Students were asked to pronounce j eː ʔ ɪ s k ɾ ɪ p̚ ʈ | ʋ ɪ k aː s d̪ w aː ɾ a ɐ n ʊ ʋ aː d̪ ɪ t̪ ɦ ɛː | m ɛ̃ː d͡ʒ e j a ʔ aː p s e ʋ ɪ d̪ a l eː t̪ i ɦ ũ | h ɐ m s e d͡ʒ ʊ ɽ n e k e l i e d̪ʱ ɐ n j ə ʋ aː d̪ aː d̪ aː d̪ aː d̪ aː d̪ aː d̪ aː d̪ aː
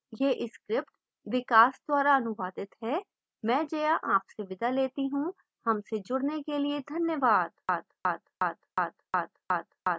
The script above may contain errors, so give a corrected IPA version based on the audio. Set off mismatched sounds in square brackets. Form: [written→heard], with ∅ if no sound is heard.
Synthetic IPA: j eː ʔ ɪ s k ɾ ɪ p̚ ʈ | ʋ ɪ k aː s d̪ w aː ɾ a ɐ n ʊ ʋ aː d̪ ɪ t̪ ɦ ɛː | m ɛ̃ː d͡ʒ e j a ʔ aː p s e ʋ ɪ d̪ a l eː t̪ i ɦ ũ | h ɐ m s e d͡ʒ ʊ ɽ n e k e l i e d̪ʱ ɐ n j ə ʋ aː d̪ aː d̪ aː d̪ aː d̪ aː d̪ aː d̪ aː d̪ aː